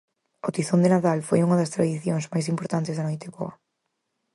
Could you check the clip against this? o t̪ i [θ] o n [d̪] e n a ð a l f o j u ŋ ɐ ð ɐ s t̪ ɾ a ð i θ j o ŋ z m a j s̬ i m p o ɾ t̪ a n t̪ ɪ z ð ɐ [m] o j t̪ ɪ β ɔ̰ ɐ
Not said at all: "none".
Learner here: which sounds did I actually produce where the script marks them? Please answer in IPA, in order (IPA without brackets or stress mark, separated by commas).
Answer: θ, d̪, n